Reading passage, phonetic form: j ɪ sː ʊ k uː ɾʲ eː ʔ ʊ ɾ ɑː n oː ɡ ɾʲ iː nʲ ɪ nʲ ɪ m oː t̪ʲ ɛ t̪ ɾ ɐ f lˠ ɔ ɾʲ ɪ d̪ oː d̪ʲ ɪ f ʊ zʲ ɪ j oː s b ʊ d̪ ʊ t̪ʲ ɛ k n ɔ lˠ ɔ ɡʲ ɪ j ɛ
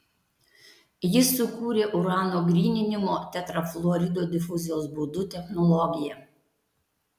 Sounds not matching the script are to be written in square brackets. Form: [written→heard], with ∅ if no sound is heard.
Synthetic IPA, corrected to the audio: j ɪ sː ʊ k uː ɾʲ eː ʔ ʊ ɾ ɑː n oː ɡ ɾʲ iː nʲ ɪ nʲ ɪ m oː t̪ʲ ɛ t̪ ɾ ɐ f lˠ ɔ ɾʲ ɪ d̪ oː d̪ʲ ɪ f ʊ zʲ ɪ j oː s b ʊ d̪ ʊ t̪ʲ ɛ [k→x] n ɔ lˠ ɔ ɡʲ ɪ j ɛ